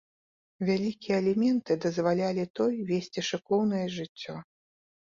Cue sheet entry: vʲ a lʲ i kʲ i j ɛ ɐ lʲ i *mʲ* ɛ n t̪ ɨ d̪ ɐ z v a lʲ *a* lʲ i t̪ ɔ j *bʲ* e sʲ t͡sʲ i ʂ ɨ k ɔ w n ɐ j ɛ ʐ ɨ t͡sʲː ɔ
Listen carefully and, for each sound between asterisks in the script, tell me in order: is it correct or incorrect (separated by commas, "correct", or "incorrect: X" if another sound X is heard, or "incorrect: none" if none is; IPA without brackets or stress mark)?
correct, correct, incorrect: vʲ